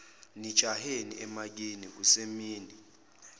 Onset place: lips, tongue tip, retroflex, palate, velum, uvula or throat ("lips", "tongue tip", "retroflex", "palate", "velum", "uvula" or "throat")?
tongue tip